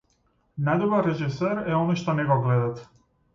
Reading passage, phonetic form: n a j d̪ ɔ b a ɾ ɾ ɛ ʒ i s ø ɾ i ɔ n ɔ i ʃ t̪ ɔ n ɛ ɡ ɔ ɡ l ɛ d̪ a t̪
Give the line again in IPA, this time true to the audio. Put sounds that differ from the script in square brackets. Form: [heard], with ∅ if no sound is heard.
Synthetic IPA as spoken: n a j d̪ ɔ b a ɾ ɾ ɛ ʒ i s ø ɾ [ɛ] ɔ n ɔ [j] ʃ t̪ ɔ n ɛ ɡ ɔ ɡ l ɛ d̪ a t̪